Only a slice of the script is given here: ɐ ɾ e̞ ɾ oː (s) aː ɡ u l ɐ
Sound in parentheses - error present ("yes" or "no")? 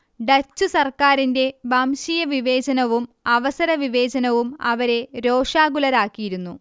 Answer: yes